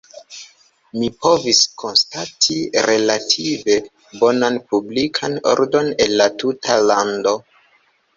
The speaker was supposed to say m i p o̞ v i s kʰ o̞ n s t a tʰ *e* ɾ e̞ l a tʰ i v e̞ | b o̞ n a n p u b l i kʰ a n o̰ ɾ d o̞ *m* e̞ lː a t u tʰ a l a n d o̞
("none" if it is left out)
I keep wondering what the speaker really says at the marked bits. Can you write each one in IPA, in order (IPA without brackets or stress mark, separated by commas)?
i, n